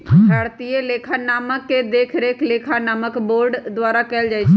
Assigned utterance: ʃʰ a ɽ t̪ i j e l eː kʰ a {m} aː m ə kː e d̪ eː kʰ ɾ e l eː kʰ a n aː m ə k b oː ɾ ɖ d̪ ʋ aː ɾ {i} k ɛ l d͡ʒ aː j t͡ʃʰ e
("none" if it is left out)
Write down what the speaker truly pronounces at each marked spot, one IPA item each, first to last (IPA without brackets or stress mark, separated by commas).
n, a